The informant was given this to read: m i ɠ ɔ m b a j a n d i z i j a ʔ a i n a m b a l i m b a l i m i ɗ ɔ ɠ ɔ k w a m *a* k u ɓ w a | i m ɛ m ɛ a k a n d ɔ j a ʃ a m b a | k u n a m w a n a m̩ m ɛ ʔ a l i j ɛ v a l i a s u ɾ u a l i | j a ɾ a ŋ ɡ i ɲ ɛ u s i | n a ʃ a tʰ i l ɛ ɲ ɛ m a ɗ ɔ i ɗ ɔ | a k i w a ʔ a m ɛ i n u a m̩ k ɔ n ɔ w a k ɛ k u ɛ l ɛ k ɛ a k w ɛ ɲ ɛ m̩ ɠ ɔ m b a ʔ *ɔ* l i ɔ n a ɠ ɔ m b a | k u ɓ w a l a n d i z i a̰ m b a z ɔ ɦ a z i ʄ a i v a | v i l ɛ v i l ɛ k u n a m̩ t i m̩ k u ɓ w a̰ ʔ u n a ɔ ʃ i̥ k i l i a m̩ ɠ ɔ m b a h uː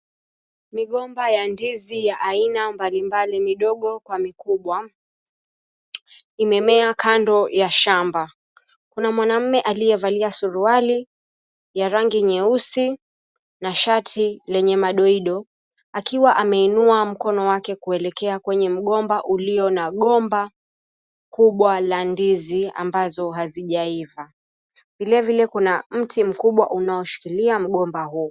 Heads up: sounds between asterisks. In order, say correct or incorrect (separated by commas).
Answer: incorrect, incorrect